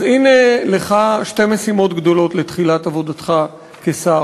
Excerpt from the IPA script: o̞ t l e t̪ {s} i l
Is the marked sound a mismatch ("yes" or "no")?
yes